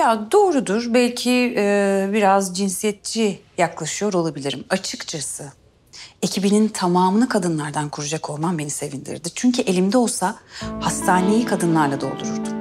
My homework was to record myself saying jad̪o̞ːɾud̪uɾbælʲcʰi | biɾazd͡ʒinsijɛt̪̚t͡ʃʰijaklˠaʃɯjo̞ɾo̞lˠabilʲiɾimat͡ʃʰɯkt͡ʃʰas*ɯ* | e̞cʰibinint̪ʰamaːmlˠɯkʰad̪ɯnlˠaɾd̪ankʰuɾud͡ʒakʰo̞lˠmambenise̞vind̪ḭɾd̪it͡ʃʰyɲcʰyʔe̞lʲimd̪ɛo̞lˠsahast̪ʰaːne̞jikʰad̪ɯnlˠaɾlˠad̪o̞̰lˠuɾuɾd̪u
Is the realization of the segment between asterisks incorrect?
no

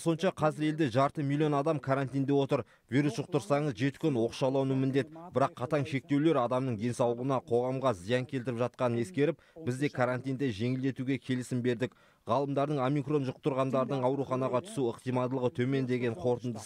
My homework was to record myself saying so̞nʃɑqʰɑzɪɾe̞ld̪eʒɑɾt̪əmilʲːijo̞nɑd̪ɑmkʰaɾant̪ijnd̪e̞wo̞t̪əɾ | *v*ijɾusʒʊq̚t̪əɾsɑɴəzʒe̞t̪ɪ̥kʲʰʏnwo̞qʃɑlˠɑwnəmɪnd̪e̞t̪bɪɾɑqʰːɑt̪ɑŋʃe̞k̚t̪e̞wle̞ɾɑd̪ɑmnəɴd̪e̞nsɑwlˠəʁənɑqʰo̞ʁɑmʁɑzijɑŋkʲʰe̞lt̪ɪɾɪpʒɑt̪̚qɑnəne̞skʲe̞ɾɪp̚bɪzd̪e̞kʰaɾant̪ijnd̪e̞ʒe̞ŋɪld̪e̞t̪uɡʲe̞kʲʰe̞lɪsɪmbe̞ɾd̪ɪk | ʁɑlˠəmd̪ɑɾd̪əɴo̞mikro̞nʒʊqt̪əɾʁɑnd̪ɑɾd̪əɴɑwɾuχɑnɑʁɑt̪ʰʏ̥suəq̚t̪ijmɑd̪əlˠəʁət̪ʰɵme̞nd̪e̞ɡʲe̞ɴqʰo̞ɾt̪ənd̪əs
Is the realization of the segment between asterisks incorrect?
no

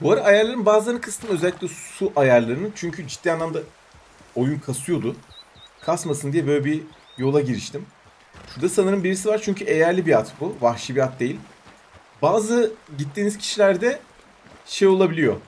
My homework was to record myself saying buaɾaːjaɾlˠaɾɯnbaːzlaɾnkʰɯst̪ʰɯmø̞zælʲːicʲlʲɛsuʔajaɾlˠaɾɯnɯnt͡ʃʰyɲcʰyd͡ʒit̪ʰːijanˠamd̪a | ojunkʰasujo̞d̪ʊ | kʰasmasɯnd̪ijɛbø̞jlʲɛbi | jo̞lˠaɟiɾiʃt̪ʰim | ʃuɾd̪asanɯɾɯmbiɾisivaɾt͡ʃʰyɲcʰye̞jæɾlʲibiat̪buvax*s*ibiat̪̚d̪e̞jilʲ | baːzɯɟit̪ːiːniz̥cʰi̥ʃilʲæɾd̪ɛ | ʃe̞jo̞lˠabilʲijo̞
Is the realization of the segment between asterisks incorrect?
yes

